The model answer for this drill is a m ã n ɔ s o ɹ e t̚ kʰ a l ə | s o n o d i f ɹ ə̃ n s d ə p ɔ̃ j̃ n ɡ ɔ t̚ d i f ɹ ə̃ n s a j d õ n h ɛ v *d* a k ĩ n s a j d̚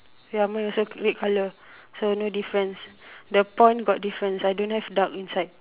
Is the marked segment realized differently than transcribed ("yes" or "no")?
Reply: no